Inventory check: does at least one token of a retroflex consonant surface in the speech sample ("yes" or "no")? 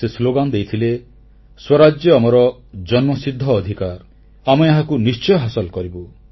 no